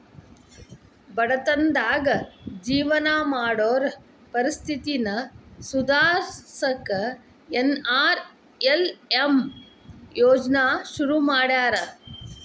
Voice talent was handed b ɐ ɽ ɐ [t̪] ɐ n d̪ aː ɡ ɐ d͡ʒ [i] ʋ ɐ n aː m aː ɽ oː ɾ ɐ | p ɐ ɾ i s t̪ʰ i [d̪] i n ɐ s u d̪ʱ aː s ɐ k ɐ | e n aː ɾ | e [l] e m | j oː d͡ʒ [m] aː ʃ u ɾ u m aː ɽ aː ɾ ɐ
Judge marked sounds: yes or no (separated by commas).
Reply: yes, no, no, yes, no